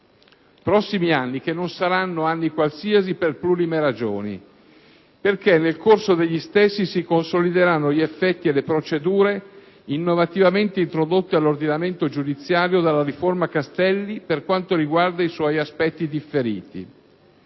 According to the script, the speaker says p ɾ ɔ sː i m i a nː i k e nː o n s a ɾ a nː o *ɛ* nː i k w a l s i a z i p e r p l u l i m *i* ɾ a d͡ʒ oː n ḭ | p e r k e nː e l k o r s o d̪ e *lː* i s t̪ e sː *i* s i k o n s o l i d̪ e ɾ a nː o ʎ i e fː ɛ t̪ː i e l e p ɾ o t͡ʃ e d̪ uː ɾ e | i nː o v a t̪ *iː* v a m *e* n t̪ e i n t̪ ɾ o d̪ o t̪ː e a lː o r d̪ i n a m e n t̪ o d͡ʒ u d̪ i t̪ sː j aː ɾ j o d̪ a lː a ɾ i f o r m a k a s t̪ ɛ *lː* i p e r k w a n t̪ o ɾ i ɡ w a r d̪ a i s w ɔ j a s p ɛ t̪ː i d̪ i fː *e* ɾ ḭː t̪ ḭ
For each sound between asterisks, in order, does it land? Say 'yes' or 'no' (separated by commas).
no, no, no, yes, no, yes, yes, yes